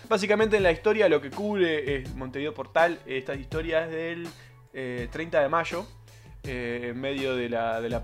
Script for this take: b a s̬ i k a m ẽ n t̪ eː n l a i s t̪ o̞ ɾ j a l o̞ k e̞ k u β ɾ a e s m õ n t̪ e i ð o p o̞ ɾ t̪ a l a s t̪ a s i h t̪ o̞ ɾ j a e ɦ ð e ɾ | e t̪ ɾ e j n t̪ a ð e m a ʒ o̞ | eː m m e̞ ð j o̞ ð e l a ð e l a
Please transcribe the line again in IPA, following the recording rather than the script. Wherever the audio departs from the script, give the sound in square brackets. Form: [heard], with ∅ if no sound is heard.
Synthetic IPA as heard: b a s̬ i k a m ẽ n t̪ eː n l a i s t̪ o̞ ɾ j a l o̞ k e̞ k u β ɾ [e] e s m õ n t̪ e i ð o p o̞ ɾ t̪ a l [e] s t̪ a s i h t̪ o̞ ɾ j a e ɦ ð e [l] | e t̪ ɾ e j n t̪ a ð e m a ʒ o̞ | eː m m e̞ ð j o̞ ð e l a ð e l a